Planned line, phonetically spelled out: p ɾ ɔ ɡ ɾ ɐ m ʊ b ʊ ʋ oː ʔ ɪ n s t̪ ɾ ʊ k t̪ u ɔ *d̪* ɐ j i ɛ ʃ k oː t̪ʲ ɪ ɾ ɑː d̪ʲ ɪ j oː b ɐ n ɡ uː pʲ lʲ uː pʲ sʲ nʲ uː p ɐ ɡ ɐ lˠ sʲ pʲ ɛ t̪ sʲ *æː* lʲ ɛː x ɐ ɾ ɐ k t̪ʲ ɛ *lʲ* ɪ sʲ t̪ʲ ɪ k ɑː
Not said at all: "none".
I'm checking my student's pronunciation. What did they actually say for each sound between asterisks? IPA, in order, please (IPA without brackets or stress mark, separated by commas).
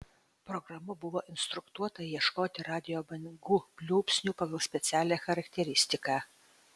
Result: t̪, æː, ɾʲ